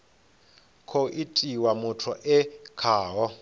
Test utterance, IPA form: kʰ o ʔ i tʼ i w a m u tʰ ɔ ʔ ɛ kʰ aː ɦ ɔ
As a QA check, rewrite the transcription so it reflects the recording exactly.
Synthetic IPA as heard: kʰ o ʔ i tʼ i w a m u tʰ ɔ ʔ ɛ kʰ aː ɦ ɔ